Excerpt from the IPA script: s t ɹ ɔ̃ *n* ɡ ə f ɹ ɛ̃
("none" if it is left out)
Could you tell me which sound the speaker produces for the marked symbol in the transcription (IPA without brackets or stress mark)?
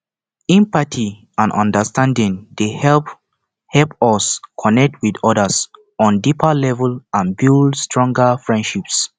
ŋ